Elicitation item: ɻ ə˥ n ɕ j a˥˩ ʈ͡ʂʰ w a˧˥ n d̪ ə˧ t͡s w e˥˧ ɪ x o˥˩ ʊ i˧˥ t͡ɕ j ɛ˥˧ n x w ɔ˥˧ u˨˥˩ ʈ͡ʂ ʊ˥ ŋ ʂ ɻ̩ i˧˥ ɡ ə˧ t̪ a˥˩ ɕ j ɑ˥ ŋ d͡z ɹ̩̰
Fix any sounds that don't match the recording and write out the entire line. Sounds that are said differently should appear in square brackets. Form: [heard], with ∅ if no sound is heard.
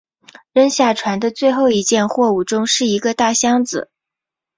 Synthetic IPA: ɻ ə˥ n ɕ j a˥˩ ʈ͡ʂʰ w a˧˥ n d̪ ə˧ t͡s w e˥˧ ɪ x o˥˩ ʊ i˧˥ t͡ɕ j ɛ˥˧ n x w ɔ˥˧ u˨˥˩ ʈ͡ʂ ʊ˥ ŋ ʂ ɻ̩ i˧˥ ɡ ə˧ t̪ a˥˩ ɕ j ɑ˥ ŋ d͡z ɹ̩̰